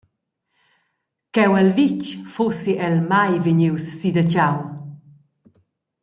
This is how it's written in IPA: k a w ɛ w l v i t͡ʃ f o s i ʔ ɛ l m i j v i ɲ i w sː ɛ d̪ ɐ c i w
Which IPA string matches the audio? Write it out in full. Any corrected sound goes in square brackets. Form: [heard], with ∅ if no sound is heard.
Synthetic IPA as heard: k [ɛ] w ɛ [∅] l v i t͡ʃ f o s i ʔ ɛ l m [a] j v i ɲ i w sː [i] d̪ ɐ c [a] w